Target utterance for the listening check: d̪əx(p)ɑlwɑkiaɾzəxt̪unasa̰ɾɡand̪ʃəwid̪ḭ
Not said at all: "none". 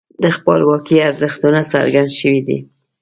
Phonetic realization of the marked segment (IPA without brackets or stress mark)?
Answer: p